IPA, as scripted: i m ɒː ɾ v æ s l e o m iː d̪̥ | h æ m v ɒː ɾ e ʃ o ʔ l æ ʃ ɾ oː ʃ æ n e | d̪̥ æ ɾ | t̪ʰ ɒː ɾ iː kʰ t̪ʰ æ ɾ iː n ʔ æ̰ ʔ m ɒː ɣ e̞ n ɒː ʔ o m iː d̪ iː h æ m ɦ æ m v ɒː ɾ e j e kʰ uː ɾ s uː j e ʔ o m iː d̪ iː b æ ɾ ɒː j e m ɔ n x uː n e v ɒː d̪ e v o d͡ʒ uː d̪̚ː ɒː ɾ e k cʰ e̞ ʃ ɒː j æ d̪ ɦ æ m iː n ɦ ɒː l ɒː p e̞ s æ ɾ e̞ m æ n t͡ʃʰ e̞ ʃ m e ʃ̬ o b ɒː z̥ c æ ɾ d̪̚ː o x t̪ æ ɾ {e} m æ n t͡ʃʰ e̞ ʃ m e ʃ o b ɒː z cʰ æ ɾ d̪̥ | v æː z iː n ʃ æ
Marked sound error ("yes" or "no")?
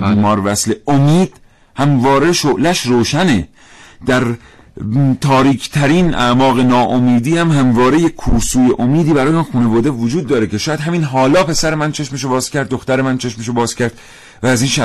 no